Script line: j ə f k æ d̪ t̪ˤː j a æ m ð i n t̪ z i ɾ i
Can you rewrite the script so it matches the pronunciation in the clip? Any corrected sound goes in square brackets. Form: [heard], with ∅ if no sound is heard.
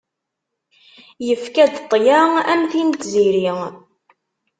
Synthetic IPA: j ə f k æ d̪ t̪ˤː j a æ m [θ] i n t̪ z i ɾ i